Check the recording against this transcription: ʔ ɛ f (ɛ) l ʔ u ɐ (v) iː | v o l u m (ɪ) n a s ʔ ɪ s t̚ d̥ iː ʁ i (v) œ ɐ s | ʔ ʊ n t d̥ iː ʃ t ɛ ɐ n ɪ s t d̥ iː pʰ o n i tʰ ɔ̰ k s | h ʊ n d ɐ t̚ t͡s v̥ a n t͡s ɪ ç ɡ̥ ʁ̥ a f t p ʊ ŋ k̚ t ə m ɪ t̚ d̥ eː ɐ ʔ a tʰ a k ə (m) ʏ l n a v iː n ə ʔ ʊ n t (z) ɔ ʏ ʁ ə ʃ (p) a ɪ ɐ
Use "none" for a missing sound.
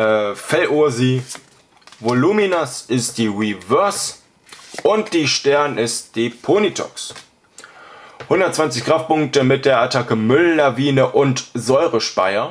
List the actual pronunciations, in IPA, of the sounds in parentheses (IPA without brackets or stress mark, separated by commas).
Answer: ɛ, z, i, v, m, z, p